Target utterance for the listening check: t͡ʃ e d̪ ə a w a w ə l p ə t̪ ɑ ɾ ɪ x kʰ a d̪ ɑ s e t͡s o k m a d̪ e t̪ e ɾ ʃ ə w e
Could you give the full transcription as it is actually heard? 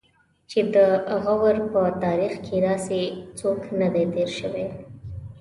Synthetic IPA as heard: t͡ʃ e d̪ ə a ɣ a w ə ɾ p ə t̪ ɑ ɾ i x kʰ e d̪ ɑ s e t͡s o k n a d̪ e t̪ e ɾ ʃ ə w e